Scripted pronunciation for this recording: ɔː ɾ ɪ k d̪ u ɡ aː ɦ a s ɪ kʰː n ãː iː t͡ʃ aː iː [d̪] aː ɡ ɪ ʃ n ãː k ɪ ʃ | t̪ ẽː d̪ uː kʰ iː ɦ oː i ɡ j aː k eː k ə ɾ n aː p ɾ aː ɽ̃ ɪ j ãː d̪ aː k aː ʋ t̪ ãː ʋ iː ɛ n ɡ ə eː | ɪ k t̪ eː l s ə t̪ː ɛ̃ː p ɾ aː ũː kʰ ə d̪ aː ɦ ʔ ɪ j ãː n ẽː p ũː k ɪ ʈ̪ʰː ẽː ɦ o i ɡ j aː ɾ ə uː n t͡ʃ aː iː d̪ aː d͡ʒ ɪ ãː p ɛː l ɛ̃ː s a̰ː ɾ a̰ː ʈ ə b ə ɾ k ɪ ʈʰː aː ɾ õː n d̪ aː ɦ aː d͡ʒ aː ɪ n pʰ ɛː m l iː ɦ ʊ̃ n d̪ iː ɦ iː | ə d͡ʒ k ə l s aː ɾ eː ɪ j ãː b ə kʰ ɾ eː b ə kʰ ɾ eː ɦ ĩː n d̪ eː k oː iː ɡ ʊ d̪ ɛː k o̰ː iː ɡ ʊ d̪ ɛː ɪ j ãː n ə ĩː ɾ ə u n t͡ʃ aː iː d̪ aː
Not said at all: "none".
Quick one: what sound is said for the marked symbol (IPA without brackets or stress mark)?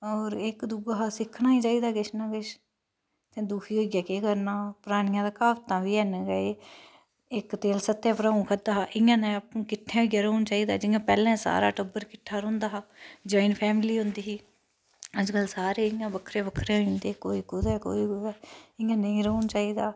d̪